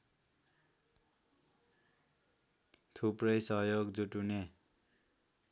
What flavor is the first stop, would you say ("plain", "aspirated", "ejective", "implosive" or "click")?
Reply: aspirated